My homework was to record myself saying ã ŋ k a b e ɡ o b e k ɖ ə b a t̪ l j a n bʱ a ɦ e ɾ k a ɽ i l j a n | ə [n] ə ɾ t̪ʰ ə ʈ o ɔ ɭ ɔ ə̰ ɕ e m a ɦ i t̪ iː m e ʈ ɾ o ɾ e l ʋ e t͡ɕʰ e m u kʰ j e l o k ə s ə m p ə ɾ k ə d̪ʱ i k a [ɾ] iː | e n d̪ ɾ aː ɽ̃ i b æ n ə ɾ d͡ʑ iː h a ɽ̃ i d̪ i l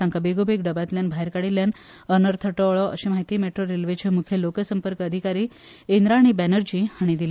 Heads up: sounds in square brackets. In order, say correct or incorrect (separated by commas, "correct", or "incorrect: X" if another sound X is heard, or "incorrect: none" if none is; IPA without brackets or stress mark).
correct, correct